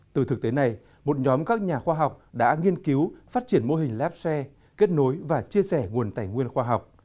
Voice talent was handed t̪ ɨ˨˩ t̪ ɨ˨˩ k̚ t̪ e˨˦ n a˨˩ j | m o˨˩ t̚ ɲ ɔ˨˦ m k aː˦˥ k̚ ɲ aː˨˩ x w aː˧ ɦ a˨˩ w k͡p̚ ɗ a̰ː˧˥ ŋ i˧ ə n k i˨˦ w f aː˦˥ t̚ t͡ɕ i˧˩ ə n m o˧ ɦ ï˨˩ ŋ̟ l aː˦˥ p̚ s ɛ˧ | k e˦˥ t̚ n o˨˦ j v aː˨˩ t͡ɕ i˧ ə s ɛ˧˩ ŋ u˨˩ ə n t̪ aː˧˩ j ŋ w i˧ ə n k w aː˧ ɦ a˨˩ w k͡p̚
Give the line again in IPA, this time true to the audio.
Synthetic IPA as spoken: t̪ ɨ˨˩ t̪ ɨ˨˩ k̚ t̪ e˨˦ n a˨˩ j | m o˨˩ t̚ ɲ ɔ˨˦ m k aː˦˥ k̚ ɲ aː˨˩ x w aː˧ ɦ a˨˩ w k͡p̚ ɗ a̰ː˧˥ ŋ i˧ ə n k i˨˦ w f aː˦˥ t̚ t͡ɕ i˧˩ ə n m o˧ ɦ ï˨˩ ŋ̟ l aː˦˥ p̚ s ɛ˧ | k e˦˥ t̚ n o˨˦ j v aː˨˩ t͡ɕ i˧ ə s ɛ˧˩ ŋ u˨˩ ə n t̪ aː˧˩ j ŋ w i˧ ə n x w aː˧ ɦ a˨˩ w k͡p̚